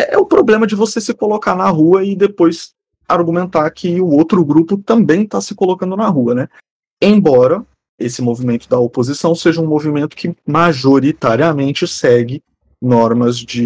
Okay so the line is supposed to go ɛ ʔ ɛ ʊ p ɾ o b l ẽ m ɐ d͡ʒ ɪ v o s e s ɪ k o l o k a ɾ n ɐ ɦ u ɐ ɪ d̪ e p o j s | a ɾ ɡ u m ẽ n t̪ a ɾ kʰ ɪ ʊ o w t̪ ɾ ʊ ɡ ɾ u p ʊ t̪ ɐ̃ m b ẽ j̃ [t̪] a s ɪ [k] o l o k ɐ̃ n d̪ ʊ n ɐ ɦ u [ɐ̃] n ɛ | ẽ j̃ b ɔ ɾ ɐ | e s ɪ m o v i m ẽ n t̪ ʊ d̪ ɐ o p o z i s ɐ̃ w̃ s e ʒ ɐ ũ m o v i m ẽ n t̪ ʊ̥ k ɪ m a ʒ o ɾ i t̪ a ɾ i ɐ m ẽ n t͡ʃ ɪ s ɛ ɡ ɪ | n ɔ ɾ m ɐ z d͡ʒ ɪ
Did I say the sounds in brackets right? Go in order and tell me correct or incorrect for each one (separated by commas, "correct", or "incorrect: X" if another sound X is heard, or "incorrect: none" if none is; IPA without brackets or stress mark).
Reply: correct, correct, incorrect: ɐ